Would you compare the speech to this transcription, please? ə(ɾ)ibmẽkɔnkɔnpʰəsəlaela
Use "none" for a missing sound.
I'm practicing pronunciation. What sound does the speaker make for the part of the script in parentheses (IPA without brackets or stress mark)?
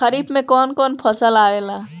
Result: ɾ